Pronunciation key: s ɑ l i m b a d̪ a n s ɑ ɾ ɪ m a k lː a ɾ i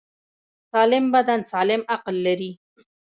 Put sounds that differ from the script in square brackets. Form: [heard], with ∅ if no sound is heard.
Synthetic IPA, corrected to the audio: s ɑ l [ɪ] m b a d̪ a n s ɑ [l] ɪ m a [q] lː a ɾ i